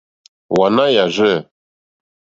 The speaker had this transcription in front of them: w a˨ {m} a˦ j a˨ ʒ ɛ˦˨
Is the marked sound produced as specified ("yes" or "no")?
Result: no